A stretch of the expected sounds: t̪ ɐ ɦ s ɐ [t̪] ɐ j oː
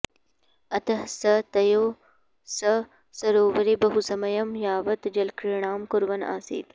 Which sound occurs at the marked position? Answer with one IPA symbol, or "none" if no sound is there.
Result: t̪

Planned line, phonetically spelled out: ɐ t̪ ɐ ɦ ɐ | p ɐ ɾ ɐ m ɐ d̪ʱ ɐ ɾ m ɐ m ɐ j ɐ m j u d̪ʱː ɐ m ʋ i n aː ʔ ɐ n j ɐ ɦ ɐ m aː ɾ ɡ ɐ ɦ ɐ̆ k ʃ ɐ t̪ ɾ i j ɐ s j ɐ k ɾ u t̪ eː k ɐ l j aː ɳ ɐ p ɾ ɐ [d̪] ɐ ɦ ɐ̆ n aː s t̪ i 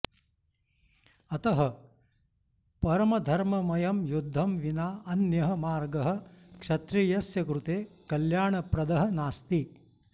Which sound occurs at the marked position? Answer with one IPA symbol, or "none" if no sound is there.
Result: d̪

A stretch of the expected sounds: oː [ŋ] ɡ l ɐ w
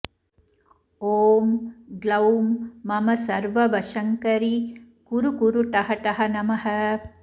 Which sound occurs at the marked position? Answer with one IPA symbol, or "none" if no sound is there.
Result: m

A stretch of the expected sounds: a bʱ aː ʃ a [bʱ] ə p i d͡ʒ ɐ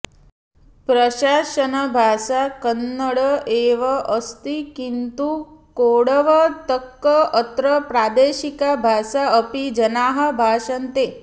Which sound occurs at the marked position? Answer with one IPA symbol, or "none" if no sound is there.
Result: none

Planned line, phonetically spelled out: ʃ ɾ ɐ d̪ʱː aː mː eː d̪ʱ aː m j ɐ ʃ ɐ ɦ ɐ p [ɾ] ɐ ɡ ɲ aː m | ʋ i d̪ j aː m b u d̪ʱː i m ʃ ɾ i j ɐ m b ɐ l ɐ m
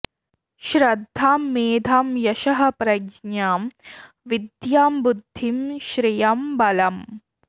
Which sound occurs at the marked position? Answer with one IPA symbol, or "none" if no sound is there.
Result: ɾ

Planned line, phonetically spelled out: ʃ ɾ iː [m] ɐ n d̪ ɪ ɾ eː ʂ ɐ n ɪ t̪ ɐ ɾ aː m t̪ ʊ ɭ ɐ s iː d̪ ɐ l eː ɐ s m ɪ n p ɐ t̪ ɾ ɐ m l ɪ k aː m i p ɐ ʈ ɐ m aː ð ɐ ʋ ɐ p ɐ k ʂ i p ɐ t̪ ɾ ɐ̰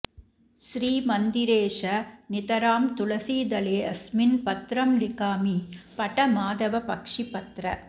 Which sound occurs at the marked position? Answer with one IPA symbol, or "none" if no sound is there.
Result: m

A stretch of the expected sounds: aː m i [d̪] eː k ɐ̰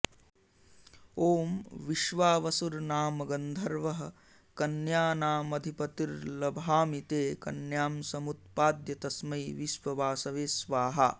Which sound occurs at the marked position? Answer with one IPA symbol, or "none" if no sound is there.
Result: t̪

